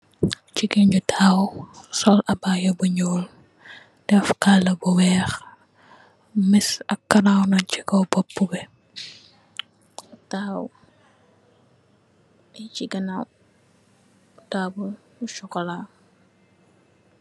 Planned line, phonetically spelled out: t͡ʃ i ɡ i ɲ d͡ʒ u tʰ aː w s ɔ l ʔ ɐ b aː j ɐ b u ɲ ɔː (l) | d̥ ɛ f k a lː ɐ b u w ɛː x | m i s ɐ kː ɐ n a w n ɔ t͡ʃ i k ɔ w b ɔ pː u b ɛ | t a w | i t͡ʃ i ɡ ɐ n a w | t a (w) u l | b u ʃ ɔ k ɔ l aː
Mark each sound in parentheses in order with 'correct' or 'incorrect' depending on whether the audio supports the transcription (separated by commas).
correct, incorrect